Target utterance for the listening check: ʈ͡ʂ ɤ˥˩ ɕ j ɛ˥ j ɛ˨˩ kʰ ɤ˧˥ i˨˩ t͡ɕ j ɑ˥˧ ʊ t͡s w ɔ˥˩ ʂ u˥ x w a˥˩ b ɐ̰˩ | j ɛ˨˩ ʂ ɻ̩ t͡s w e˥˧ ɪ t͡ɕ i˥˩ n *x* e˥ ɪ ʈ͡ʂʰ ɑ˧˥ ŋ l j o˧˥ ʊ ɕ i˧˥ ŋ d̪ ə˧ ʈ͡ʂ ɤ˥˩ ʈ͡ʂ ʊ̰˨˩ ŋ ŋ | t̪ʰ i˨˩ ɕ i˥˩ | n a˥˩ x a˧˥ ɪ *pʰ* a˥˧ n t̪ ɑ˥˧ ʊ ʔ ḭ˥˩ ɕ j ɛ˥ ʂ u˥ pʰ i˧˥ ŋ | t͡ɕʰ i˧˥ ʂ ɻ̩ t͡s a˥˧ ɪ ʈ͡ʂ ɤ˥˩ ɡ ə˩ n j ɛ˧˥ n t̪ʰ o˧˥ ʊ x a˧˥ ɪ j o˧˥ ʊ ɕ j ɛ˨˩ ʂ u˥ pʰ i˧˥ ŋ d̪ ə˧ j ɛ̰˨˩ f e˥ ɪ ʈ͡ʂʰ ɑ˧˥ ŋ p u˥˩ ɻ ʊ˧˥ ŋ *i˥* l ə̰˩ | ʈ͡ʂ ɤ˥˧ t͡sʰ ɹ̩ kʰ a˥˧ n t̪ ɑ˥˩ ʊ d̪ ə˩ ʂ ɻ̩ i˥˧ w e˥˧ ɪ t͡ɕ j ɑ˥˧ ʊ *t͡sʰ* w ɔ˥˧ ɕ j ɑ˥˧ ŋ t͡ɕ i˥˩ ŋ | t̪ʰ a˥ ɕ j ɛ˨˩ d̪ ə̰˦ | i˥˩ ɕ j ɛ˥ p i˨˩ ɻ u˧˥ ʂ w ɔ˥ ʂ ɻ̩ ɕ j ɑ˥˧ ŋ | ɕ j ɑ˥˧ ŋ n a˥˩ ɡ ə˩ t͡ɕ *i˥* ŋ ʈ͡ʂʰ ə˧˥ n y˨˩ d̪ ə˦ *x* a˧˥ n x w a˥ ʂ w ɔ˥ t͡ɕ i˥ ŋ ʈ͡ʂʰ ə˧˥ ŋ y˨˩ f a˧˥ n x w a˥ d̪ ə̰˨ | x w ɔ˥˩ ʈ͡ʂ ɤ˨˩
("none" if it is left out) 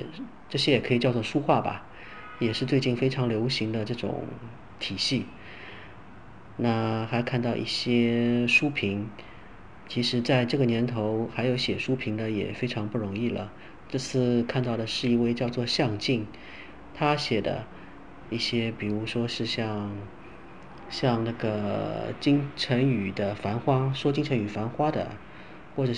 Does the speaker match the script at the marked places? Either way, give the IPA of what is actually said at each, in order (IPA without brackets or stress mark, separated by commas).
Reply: f, kʰ, i˥˩, t͡s, i˥, f